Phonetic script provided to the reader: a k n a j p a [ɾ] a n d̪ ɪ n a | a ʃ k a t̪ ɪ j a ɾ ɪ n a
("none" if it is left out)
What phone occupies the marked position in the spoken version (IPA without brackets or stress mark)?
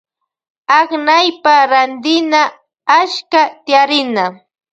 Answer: ɾ